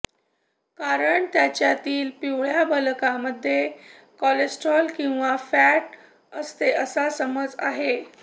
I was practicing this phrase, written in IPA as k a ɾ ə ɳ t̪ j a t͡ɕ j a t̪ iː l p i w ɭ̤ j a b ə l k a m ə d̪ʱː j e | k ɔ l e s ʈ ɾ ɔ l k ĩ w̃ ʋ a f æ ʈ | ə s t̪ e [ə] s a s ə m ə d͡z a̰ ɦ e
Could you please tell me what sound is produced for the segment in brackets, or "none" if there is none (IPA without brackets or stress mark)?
ə